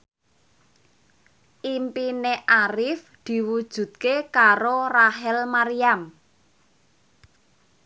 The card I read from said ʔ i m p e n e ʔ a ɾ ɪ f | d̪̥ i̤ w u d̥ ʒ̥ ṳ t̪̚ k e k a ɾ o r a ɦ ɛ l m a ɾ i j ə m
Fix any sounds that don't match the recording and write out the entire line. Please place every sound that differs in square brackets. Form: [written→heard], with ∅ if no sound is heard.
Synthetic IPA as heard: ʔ i m p [e→i] n e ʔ a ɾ ɪ f | d̪̥ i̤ w u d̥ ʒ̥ ṳ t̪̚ k e k a ɾ o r a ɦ ɛ l m a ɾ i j [ə→a] m